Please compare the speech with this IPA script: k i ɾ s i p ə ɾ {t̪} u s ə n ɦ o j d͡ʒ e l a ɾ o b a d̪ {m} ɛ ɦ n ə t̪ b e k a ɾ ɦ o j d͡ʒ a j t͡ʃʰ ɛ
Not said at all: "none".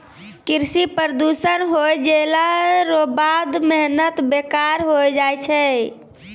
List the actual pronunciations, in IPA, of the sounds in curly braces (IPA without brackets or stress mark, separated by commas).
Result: d̪, m